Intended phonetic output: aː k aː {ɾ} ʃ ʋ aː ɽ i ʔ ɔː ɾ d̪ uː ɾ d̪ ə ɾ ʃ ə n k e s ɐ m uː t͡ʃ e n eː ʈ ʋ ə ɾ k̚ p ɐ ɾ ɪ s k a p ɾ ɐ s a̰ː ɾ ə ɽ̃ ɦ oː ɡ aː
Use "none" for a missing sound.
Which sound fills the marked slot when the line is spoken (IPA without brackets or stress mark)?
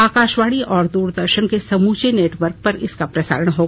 none